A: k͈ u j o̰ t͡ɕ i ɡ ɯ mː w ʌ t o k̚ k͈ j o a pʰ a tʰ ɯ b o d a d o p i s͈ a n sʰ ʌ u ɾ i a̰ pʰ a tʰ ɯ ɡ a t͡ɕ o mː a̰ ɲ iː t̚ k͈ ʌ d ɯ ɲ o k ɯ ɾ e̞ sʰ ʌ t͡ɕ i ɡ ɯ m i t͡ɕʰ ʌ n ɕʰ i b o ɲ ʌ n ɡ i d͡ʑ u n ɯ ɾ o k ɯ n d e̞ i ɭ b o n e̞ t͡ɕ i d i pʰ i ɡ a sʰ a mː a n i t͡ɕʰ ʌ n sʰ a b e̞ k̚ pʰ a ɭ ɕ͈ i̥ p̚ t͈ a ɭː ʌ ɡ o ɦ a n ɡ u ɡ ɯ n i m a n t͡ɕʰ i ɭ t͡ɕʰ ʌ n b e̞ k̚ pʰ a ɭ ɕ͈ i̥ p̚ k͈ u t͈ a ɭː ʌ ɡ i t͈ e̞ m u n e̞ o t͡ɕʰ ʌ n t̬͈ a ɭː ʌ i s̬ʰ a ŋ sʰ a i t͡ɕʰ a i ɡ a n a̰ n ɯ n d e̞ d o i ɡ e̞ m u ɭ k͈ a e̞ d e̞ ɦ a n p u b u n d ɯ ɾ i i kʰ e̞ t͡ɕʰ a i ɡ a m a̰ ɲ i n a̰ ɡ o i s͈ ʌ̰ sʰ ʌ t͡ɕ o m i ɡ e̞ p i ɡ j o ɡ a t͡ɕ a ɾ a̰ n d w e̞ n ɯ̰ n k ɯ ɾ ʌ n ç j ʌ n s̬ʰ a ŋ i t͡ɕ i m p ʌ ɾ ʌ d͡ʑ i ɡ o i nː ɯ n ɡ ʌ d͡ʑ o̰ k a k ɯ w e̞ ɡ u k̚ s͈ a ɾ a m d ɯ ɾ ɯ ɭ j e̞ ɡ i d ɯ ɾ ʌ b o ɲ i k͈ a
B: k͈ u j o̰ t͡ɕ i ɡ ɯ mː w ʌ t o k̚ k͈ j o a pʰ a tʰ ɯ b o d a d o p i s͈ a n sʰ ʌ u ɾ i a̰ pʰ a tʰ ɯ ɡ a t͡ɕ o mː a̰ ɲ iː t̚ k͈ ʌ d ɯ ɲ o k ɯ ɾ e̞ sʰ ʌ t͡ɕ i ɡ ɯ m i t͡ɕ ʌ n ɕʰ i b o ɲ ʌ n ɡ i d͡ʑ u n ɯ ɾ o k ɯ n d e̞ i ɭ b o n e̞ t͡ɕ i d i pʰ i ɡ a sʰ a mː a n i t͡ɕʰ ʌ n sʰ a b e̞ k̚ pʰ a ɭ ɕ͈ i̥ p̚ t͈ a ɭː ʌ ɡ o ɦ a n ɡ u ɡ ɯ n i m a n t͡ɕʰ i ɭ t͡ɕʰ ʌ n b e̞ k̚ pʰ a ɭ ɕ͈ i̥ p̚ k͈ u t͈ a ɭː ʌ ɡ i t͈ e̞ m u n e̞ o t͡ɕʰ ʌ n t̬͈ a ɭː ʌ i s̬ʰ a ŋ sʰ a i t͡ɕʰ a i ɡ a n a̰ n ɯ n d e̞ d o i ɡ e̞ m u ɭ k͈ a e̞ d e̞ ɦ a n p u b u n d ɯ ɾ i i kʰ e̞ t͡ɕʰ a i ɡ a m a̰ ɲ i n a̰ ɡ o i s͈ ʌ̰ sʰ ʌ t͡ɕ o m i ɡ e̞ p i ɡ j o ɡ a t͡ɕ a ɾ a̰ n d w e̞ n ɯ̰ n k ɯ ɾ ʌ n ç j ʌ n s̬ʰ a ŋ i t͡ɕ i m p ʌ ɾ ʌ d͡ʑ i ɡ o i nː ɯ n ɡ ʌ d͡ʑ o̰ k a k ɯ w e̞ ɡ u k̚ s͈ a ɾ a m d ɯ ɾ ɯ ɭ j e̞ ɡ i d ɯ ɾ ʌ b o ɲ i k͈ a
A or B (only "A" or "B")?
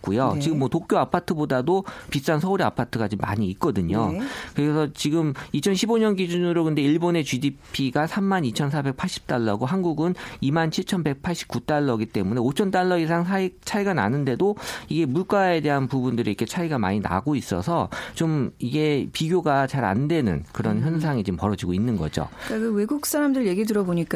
A